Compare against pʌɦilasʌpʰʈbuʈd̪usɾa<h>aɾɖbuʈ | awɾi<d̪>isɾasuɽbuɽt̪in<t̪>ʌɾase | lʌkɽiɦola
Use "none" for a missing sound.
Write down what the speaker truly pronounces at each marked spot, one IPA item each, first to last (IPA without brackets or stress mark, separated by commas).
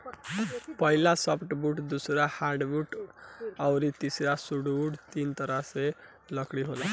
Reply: h, t̪, t̪